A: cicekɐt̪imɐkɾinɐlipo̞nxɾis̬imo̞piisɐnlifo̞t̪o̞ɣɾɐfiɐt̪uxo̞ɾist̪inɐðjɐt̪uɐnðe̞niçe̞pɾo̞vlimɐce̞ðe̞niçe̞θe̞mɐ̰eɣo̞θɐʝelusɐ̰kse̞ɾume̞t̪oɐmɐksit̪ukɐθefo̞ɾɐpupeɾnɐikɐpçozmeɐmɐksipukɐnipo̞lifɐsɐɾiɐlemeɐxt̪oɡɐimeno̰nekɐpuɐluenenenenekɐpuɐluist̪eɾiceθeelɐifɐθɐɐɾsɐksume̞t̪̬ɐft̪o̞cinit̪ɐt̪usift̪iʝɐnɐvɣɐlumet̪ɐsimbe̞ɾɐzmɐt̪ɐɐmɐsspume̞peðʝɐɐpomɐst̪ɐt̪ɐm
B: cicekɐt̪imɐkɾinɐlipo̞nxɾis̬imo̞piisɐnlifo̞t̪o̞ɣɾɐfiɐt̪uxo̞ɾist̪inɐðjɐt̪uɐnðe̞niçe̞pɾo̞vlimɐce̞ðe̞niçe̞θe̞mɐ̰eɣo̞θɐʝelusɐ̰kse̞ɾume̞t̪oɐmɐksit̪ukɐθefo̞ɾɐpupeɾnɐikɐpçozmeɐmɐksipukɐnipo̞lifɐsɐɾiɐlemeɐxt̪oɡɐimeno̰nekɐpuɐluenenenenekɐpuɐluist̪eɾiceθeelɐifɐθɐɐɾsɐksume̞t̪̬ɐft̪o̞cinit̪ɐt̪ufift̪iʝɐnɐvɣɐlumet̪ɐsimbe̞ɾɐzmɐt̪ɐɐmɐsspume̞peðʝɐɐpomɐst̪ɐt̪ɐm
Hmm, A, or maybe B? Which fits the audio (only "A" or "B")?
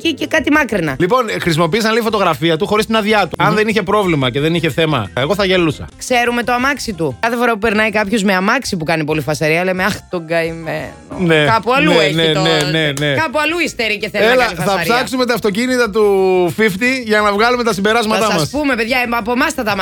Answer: B